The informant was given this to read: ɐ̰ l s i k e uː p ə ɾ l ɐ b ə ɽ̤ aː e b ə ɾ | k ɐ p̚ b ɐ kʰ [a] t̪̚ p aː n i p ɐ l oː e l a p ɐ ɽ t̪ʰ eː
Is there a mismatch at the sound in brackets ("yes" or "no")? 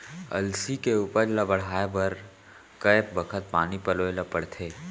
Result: yes